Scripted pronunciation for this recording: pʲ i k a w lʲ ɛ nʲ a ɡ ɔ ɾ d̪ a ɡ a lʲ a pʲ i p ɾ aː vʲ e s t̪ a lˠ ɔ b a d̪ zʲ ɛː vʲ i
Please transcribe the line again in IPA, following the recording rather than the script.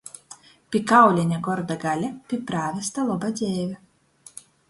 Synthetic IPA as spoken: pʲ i k a w lʲ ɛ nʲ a ɡ ɔ ɾ d̪ a ɡ a lʲ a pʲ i p ɾ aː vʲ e s t̪ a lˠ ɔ b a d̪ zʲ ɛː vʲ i